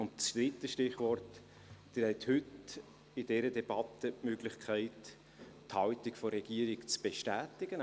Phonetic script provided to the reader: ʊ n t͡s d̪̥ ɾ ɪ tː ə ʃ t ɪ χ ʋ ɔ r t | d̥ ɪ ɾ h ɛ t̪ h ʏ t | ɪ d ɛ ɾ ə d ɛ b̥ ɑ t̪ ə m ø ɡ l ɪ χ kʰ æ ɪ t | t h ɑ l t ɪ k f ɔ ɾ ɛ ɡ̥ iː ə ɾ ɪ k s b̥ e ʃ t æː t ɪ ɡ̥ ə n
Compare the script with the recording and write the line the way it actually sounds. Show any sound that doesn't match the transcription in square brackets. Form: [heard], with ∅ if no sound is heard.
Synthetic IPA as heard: ʊ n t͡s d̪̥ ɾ ɪ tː ə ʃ t ɪ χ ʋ ɔ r t | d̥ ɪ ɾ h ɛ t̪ h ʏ t | ɪ d ɛ ɾ ə d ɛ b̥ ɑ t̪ ə m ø ɡ l ɪ χ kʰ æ ɪ t | t h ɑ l t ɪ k f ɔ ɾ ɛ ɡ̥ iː ə ɾ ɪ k [t͡s] b̥ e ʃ t æː t ɪ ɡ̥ ə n

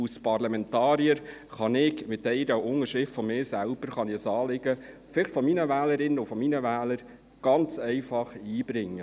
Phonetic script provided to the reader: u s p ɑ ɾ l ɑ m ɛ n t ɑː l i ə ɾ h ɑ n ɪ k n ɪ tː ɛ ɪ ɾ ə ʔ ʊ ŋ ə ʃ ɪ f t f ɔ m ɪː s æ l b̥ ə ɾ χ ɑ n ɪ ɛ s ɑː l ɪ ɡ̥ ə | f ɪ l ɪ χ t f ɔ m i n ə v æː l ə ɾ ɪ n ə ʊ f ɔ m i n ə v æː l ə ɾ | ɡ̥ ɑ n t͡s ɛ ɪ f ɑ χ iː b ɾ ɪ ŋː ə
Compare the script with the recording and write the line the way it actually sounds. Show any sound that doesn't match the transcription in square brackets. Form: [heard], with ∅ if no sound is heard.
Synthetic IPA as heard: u s p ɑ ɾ l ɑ m ɛ n t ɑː [ɾ] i ə ɾ [χ] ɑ n ɪ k [m] ɪ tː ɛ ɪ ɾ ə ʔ ʊ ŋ ə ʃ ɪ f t f ɔ m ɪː s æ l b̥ ə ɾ χ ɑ n ɪ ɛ s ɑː l ɪ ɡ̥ ə | f ɪ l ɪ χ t f ɔ m i n ə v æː l ə ɾ ɪ n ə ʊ f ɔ m i n ə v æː l ə ɾ | ɡ̥ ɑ n t͡s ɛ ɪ f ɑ χ iː b ɾ ɪ ŋː ə

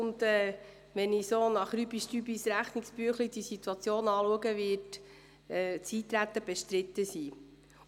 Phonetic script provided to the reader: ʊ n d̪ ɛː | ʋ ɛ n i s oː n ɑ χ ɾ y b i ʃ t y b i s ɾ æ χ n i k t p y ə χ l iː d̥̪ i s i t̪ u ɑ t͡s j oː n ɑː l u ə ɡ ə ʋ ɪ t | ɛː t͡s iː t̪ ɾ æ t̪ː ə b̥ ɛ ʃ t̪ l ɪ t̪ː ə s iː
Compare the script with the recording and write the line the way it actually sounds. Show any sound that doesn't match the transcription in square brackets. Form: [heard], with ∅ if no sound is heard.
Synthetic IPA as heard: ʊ n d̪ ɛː | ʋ ɛ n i s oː n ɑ χ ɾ y b i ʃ t y b i s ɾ æ χ n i k [s] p y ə χ l [i] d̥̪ i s i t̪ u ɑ t͡s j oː n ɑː l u ə ɡ ə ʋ ɪ t | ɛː t͡s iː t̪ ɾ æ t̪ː ə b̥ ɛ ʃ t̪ [ɾ] ɪ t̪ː ə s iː

